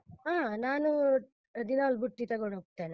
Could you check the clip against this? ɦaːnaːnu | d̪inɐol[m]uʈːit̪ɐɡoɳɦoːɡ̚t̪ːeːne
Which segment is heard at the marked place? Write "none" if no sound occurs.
b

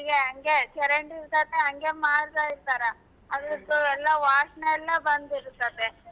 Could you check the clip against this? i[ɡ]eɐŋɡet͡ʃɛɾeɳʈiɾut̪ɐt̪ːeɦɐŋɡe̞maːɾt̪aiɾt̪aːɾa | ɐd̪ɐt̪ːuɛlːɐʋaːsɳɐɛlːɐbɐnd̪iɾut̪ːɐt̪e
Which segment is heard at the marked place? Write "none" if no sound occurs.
ɡ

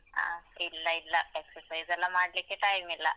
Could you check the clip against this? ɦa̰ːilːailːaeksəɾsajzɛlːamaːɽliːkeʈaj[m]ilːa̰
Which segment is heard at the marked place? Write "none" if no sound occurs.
m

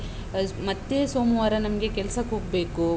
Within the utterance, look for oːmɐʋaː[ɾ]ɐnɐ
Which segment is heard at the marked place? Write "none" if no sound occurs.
ɾ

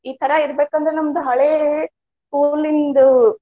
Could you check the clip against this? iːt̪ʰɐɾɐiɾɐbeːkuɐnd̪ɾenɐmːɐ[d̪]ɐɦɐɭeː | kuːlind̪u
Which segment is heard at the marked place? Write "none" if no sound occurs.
d̪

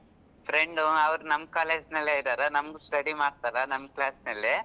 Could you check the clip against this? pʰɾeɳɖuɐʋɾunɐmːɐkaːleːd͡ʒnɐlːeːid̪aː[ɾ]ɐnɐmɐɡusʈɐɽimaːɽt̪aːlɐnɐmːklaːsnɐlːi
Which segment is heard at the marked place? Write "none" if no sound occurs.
ɾ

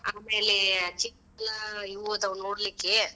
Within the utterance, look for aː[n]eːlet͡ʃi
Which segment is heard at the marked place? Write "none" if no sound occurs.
m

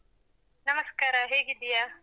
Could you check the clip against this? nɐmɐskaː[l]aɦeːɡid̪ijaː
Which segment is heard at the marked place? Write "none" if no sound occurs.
ɾ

